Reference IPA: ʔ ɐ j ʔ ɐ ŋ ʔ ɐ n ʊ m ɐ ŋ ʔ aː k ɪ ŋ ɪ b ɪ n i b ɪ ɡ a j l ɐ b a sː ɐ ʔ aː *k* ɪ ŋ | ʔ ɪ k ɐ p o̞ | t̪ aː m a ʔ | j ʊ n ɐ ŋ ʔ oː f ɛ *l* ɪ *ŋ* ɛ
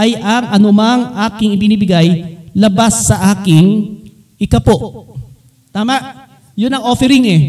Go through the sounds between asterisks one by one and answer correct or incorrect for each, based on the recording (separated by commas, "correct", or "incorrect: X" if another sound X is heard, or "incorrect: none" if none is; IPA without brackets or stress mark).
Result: correct, incorrect: ɾ, correct